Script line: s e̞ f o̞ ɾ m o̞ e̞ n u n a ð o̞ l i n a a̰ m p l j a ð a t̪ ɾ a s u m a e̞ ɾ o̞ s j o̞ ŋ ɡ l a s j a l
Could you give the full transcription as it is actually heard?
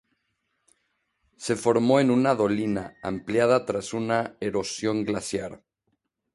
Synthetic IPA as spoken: s e̞ f o̞ ɾ m o̞ e̞ n u n a ð o̞ l i n a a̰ m p l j a ð a t̪ ɾ a s u n a e̞ ɾ o̞ s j o̞ ŋ ɡ l a s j a ɾ